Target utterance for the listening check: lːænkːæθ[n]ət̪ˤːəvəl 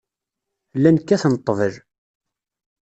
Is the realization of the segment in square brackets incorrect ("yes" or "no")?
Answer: no